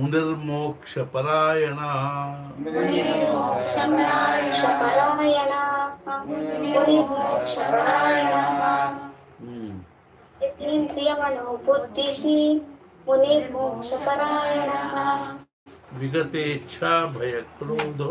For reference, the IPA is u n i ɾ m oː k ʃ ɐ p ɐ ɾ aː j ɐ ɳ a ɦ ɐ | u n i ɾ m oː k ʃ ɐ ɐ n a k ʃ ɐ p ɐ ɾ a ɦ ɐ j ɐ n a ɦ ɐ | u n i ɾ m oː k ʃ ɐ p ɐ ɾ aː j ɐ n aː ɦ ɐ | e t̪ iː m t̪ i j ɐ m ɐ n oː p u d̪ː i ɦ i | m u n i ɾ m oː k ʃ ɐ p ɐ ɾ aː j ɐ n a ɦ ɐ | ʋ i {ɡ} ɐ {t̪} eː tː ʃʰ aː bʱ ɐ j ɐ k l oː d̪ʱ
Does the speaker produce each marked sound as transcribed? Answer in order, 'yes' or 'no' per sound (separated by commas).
yes, yes